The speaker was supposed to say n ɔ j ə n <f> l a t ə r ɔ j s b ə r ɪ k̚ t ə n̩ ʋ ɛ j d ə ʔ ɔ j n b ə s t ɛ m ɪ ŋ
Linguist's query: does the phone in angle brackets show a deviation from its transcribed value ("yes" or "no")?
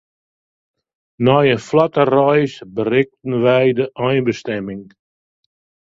no